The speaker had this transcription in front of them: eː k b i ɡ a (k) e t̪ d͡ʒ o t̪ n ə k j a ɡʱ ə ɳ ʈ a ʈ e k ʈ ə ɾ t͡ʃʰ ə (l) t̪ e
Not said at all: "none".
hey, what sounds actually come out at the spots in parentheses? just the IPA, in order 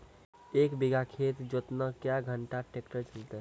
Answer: kʰ, l

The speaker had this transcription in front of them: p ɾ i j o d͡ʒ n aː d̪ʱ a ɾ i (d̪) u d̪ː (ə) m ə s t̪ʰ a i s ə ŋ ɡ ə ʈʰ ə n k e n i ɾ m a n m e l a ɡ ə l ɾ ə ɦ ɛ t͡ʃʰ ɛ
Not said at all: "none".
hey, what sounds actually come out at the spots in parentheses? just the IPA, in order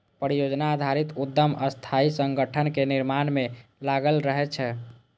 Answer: t̪, ə

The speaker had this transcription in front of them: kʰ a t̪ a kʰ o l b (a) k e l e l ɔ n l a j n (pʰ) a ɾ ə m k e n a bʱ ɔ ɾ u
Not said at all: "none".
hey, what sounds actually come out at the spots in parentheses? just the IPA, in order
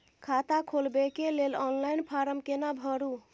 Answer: e, pʰ

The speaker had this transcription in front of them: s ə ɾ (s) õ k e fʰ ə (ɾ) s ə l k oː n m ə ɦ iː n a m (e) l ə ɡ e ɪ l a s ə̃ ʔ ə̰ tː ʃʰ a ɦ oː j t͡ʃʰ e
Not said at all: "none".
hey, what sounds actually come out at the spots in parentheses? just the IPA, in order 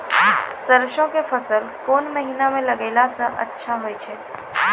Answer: ʃ, none, ẽ

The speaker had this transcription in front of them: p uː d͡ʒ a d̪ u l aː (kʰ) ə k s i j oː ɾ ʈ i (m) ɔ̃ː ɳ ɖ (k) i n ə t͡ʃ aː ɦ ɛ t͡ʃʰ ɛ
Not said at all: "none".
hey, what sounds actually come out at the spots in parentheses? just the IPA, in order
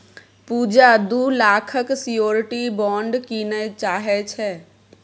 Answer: kʰ, b, k

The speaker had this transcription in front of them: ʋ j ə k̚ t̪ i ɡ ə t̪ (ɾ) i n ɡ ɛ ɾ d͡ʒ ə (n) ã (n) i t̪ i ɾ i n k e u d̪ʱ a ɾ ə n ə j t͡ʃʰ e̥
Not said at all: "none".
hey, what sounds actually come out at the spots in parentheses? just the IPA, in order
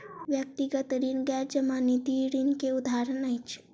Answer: ɾ, m, n

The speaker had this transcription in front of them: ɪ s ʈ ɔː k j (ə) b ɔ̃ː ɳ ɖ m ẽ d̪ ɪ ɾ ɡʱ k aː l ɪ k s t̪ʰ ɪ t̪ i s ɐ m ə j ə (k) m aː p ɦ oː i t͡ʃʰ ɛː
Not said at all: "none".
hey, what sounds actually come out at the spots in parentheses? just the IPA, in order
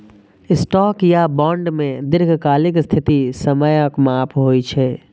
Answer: a, k

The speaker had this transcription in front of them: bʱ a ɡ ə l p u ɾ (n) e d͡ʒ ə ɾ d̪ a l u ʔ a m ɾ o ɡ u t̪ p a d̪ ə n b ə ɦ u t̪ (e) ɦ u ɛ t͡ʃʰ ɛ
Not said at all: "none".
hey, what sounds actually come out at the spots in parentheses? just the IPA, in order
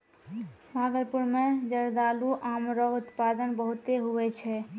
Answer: m, e

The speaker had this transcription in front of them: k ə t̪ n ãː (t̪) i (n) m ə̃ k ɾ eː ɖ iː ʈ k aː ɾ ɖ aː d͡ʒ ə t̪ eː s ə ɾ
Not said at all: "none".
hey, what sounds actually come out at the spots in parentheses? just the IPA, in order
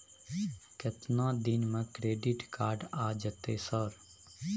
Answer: d̪, n

